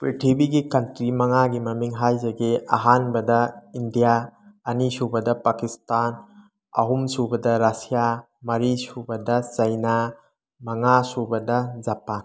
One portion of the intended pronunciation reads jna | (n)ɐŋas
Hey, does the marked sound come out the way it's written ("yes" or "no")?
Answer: no